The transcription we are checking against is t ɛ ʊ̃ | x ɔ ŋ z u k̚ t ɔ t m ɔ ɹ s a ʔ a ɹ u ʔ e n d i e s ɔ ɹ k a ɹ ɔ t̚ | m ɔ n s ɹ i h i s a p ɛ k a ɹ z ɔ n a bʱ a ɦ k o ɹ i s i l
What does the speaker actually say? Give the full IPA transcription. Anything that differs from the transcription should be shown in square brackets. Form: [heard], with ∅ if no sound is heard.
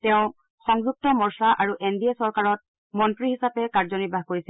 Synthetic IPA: t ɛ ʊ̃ | x ɔ ŋ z u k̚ t ɔ [∅] m ɔ ɹ s a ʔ a ɹ u ʔ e n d i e s ɔ ɹ k a ɹ ɔ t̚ | m ɔ n [t] ɹ i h i s a p ɛ k a ɹ z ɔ n [i] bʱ a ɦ k o ɹ i s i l